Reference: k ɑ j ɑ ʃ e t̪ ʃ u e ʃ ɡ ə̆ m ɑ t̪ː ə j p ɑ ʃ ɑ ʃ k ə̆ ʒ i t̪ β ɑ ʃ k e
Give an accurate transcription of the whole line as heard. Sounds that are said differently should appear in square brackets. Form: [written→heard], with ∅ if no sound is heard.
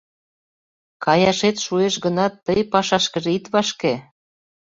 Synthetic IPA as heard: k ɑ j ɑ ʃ e t̪ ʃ u e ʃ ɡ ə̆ [m→n] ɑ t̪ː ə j p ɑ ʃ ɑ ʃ k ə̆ ʒ i t̪ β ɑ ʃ k e